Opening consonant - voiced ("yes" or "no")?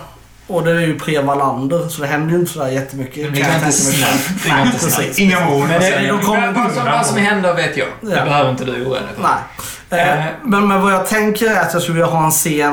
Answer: yes